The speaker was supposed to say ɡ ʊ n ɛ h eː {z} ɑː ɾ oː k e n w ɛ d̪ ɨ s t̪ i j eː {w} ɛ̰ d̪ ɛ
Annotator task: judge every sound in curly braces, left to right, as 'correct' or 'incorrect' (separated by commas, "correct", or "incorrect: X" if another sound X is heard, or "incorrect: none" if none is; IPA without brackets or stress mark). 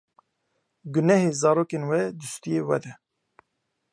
correct, correct